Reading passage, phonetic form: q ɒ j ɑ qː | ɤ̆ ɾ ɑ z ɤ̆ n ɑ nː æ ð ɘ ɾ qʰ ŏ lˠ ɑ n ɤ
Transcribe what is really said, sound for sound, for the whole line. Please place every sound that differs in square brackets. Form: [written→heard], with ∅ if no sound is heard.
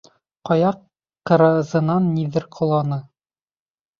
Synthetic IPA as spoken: q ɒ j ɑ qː | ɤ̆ ɾ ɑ z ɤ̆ n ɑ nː [æ→i] ð ɘ ɾ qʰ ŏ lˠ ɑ n ɤ